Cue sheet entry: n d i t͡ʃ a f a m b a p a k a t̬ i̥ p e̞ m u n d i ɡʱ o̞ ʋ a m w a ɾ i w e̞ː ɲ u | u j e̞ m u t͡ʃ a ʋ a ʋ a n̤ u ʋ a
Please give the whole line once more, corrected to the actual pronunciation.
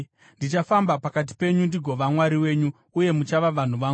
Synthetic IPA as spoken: n d i t͡ʃ a f a m b a p a k a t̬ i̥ p e̞ ɲ u n d i ɡʱ o̞ ʋ a m w a ɾ i w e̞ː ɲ u | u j e̞ m u t͡ʃ a ʋ a ʋ a n̤ u ʋ a